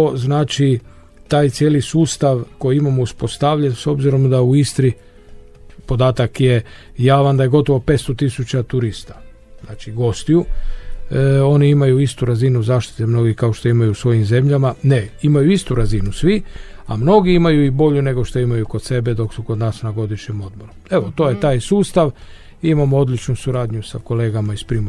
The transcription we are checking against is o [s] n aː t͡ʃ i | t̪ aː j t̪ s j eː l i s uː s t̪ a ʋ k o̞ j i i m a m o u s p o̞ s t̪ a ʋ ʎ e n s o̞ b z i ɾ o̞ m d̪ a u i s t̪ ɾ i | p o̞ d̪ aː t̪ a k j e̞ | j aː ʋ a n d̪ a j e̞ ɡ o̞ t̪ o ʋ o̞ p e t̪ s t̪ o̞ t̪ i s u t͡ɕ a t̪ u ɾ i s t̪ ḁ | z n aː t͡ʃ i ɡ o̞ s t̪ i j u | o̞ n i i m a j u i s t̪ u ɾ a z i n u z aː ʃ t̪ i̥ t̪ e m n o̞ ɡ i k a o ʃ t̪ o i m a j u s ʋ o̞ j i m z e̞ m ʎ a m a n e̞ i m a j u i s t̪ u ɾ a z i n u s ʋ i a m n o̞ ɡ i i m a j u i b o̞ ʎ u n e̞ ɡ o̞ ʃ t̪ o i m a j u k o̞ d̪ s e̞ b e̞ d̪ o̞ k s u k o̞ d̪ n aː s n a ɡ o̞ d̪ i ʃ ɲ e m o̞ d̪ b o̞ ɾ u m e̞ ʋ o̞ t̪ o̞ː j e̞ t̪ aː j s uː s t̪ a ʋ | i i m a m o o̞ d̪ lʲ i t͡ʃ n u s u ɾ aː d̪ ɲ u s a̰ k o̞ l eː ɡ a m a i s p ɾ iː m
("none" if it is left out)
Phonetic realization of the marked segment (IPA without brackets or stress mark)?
z